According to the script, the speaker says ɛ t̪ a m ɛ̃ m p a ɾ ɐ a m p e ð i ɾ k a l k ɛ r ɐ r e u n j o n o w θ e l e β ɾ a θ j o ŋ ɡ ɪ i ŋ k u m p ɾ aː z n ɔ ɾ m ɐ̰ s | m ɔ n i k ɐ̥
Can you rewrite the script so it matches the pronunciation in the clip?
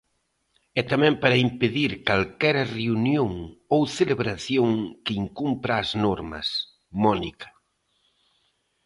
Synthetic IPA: ɛ t̪ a m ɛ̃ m p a ɾ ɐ i m p e ð i ɾ k a l k ɛ ɾ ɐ r e u n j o ŋ o w θ e l e β ɾ a θ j o ŋ k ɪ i ŋ k u m p ɾ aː z n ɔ ɾ m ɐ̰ s | m ɔ n i k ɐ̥